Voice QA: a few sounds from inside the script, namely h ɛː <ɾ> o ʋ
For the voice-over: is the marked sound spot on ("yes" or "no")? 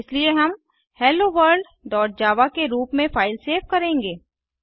no